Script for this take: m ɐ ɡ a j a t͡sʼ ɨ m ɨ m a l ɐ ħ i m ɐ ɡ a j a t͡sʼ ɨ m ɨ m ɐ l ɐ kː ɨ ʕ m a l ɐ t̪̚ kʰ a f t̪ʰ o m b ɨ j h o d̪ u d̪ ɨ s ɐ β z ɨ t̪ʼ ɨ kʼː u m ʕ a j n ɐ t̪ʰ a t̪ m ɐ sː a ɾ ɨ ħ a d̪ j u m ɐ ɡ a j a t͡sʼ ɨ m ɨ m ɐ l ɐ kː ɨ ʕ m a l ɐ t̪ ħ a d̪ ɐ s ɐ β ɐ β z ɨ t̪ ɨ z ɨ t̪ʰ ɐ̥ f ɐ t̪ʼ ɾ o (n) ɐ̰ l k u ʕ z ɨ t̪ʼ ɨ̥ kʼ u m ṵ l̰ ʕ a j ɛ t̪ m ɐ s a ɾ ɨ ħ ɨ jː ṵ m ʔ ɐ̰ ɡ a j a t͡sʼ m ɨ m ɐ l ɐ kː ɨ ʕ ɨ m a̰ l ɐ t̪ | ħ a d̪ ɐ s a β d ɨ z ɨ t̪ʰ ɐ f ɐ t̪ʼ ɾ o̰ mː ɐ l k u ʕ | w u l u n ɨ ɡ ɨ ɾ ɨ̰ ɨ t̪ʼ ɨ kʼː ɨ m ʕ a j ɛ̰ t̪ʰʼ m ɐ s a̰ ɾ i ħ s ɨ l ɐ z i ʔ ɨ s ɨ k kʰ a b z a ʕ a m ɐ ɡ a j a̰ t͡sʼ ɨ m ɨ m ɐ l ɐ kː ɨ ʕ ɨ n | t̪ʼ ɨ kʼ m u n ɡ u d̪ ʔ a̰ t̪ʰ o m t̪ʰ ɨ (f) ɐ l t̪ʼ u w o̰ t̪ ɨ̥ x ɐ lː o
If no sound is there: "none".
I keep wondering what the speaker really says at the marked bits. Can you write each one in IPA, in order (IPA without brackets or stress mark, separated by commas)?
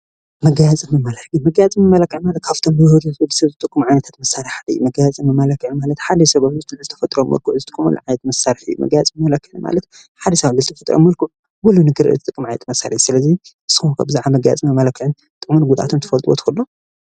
m, f